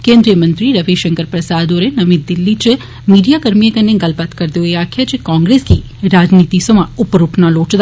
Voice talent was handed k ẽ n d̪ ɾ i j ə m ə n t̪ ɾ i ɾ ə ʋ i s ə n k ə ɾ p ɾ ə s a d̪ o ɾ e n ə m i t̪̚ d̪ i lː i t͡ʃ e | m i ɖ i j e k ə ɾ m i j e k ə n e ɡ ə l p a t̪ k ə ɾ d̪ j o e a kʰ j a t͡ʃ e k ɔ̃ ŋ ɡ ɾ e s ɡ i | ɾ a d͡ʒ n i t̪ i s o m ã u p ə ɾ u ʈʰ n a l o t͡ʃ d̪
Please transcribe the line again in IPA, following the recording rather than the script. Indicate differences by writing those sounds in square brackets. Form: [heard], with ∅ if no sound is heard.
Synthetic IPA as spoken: k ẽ n d̪ ɾ i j ə m ə n t̪ ɾ i ɾ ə ʋ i [ʃ] ə [ŋ] k ə ɾ p ɾ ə s a d̪ o ɾ e n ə m i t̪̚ d̪ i lː i t͡ʃ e | m i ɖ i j [a] k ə ɾ m i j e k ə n e ɡ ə l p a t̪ k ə ɾ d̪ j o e a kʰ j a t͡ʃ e k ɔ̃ ŋ ɡ ɾ e s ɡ i | ɾ a d͡ʒ n i t̪ i s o m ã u p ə ɾ u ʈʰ n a l o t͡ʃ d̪